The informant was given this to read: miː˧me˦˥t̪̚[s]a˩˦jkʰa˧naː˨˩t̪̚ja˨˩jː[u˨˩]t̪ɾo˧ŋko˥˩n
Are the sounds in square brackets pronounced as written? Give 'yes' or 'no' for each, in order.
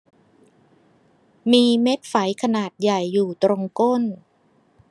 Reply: no, no

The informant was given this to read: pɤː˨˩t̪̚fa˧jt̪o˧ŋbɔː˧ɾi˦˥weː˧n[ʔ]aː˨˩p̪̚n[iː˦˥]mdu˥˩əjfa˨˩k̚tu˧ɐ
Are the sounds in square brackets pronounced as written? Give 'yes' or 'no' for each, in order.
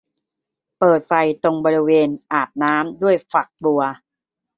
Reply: yes, no

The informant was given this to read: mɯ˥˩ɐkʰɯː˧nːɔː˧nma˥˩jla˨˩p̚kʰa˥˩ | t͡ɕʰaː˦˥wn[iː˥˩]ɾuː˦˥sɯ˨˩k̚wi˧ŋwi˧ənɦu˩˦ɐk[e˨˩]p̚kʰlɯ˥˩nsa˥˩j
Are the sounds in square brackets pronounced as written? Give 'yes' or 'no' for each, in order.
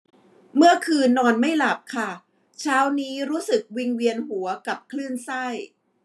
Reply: no, no

